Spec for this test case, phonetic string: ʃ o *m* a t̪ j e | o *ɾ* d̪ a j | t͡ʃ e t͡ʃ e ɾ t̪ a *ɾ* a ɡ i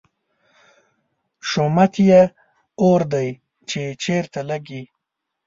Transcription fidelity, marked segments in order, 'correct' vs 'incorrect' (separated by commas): correct, correct, incorrect